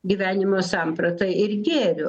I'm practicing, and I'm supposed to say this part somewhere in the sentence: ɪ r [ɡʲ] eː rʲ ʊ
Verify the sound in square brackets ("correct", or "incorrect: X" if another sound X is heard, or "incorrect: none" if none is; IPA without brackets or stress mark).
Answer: correct